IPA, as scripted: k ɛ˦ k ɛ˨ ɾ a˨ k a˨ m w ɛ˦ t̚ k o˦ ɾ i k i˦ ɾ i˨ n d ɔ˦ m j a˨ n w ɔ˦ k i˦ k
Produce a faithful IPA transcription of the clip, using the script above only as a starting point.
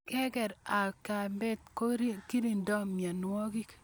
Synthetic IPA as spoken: k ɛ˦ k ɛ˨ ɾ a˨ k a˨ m b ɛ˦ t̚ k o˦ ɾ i k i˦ ɾ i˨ n d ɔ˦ m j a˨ n w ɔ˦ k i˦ k